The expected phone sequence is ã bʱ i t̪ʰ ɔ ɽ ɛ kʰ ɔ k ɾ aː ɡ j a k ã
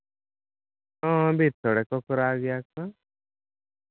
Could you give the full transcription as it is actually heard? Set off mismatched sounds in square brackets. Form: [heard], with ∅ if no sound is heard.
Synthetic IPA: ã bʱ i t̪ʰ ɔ ɽ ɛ [k] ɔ k ɾ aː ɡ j a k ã